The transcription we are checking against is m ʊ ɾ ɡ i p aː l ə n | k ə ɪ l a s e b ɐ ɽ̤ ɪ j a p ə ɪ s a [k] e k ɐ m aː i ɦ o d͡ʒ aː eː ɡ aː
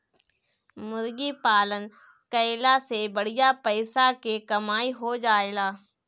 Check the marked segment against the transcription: correct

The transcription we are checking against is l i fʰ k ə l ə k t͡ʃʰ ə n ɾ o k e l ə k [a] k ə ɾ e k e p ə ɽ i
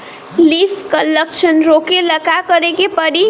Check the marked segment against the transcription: correct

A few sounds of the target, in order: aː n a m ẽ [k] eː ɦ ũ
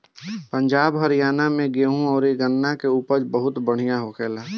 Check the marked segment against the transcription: incorrect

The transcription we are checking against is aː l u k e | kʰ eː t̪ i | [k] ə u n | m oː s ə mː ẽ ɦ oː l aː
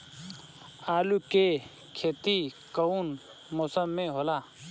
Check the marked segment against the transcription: correct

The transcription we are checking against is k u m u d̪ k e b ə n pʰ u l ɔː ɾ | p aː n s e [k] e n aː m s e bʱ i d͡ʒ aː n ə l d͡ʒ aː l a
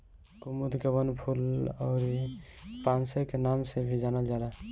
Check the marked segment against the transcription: correct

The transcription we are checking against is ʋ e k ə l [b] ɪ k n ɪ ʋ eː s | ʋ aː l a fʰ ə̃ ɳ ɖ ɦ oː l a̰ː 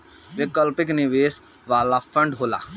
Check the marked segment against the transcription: incorrect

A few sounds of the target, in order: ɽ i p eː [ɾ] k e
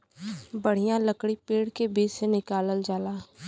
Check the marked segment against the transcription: incorrect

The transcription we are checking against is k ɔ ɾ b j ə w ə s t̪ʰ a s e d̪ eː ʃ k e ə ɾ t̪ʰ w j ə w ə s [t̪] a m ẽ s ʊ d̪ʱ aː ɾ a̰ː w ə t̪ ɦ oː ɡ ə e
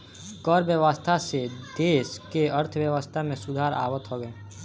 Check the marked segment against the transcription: incorrect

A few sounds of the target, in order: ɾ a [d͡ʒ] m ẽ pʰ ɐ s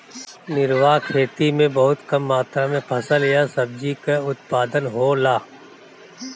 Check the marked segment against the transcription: incorrect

